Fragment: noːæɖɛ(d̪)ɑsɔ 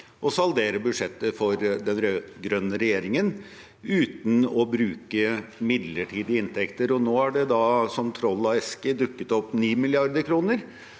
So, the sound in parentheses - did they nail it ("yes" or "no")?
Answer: yes